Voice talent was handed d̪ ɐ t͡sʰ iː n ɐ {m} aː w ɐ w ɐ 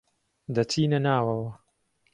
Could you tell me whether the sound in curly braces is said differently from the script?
yes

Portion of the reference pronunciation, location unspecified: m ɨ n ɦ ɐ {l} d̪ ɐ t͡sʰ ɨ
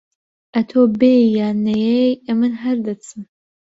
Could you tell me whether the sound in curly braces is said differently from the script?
yes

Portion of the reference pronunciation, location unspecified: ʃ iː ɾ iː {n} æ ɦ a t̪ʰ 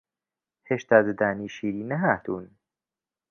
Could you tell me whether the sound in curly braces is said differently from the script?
no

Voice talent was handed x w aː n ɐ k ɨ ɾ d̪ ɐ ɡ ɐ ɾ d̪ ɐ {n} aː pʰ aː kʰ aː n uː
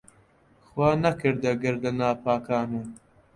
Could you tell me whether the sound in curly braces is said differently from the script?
no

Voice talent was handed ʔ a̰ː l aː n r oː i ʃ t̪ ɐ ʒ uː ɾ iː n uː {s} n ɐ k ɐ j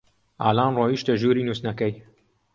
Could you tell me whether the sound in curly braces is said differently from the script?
no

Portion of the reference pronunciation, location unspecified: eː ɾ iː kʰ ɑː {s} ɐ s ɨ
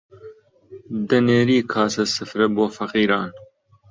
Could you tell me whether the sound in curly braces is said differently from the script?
no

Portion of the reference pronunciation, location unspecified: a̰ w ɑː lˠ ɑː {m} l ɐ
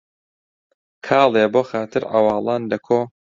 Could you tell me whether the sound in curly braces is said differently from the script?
yes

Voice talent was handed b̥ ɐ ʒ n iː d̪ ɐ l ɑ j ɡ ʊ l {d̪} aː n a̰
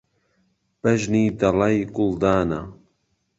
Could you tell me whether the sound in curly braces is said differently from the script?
no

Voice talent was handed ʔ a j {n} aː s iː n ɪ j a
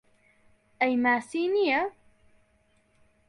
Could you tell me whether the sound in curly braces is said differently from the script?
yes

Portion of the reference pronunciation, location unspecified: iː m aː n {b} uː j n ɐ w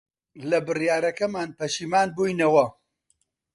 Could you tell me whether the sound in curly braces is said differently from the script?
no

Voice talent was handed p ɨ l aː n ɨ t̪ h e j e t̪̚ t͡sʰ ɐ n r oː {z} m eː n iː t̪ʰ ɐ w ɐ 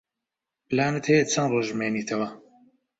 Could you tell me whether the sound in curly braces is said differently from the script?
yes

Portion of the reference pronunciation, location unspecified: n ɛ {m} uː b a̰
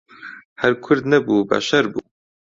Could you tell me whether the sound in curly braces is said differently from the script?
yes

